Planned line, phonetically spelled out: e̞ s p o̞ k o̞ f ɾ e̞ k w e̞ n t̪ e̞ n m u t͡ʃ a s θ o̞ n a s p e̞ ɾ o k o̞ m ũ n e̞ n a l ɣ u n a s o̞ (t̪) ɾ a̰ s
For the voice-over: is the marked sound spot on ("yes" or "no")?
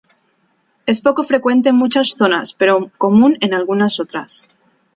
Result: yes